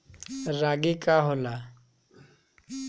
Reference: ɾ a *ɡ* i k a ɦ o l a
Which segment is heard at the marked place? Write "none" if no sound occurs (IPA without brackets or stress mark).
ɡ